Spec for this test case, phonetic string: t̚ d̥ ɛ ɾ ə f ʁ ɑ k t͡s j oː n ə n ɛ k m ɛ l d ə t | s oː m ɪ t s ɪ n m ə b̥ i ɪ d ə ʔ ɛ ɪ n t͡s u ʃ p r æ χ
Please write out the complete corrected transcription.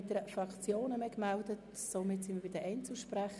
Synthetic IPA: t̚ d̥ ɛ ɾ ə f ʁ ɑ k t͡s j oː n ə m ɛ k m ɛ l d ə t | s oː m ɪ t s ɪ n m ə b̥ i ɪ d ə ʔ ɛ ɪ n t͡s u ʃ p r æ χ